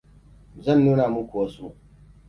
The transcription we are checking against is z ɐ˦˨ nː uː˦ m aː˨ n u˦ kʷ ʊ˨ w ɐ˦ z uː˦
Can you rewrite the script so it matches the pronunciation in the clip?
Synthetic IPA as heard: z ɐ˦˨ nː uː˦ n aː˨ m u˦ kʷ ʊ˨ w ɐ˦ s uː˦